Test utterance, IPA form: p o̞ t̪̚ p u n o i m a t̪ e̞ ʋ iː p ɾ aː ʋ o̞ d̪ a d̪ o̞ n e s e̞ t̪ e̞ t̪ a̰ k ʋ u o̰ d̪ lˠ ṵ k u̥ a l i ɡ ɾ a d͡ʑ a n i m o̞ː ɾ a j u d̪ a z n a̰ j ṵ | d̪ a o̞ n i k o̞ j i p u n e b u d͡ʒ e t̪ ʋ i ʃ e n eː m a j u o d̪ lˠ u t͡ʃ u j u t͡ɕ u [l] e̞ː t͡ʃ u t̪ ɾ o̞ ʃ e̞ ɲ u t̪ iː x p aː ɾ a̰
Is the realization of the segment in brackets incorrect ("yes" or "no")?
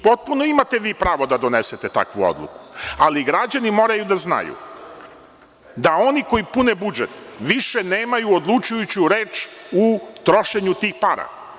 yes